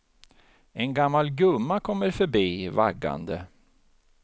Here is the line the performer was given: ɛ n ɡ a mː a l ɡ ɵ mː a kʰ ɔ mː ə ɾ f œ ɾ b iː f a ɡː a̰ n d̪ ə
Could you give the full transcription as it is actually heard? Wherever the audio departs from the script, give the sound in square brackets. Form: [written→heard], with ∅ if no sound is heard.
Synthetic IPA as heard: ɛ n ɡ a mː a l ɡ ɵ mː a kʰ ɔ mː ə ɾ f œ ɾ b iː [f→v] a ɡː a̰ n d̪ ə